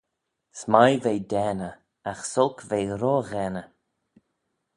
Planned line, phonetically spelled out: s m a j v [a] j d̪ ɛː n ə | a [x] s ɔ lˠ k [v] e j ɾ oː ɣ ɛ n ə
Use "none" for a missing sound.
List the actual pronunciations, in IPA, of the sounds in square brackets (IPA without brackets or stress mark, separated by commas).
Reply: e, x, v